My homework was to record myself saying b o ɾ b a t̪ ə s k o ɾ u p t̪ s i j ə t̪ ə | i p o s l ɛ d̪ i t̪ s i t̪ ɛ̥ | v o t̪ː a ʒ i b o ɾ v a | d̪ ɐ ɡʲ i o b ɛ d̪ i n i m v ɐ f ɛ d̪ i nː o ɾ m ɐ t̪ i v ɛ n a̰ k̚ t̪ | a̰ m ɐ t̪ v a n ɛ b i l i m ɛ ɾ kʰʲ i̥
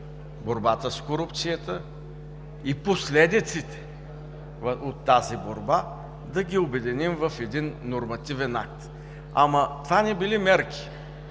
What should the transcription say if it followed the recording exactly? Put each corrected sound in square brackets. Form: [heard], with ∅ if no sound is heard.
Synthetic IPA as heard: b o ɾ b a t̪ ə s k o ɾ u p t̪ s i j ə t̪ ə | i p o s l ɛ d̪ i t̪ s i t̪ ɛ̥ | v o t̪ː a [z] i b o ɾ [b] a | d̪ ɐ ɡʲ i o b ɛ d̪ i n i m v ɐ f ɛ d̪ i nː o ɾ m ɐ t̪ i v ɛ n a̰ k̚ t̪ | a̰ m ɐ t̪ v a n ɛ b i l i m ɛ ɾ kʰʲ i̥